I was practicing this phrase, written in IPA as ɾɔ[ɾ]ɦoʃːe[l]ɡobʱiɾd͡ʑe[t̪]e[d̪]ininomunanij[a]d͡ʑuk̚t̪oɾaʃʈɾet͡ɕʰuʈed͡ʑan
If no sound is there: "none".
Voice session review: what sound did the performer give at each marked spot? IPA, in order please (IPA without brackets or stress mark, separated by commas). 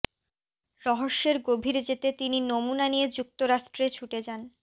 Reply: none, ɾ, t̪, t̪, e